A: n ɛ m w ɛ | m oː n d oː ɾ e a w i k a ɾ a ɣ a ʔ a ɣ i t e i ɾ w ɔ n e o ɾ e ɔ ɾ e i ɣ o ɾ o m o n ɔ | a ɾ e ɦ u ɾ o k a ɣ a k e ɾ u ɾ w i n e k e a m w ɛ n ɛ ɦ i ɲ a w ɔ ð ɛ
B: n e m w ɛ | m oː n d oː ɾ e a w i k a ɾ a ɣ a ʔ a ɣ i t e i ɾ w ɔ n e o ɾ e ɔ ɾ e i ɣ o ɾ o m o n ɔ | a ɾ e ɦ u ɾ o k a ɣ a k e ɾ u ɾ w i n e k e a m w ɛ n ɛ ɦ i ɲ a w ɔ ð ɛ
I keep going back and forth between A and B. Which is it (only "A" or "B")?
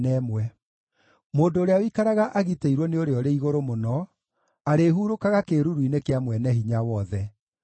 A